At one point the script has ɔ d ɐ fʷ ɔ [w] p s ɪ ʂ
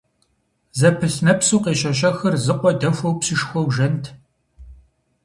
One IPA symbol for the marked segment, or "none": w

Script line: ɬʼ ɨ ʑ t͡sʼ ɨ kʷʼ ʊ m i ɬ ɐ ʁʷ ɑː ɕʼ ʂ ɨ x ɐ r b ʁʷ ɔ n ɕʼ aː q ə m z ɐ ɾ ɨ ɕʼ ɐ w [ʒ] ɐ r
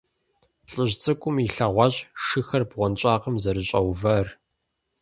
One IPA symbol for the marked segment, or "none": v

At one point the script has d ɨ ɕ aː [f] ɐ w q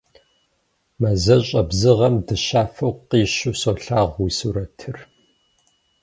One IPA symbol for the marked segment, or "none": f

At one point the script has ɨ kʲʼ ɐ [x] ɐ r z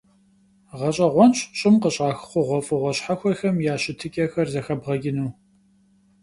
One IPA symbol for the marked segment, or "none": x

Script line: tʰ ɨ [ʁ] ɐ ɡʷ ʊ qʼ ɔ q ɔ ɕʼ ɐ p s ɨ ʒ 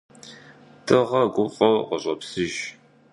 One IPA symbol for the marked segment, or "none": ʁ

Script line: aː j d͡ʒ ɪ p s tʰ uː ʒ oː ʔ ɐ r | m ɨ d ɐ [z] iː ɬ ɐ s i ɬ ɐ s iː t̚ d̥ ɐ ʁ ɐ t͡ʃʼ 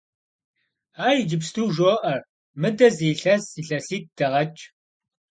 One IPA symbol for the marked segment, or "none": z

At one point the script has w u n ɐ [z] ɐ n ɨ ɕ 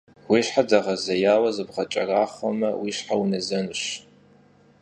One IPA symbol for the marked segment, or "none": z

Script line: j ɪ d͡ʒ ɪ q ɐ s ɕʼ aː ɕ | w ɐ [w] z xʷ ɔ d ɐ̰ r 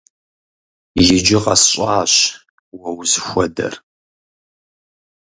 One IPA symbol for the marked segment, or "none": w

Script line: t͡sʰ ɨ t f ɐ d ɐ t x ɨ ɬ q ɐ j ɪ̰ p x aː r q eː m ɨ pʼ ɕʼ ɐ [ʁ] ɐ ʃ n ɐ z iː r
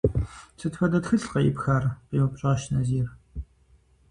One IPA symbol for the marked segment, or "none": ʁ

